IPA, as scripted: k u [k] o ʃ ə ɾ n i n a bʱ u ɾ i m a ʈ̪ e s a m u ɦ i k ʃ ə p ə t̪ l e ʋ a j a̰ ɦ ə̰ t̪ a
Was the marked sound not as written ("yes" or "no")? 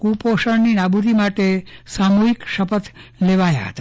yes